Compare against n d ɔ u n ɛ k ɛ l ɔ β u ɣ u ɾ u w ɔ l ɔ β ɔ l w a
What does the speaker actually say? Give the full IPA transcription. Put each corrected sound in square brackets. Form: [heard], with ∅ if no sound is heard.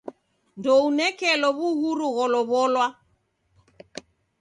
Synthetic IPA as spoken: n d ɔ u n ɛ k ɛ l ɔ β u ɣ u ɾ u [ɣ] ɔ l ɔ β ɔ l w a